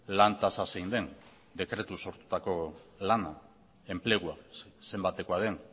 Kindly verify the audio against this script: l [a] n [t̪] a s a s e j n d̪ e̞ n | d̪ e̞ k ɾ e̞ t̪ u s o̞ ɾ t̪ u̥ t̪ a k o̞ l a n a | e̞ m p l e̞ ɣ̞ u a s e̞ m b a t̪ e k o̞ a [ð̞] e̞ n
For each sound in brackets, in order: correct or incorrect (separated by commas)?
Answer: correct, correct, correct